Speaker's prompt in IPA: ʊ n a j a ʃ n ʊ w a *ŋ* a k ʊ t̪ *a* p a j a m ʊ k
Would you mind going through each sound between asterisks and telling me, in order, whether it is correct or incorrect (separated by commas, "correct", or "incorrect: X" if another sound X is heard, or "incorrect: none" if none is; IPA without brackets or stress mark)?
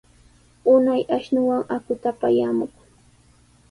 correct, correct